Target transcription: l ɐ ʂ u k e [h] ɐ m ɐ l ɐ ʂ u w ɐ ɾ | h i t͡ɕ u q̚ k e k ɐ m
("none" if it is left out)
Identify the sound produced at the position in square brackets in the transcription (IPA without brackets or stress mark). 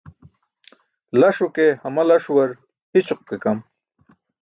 h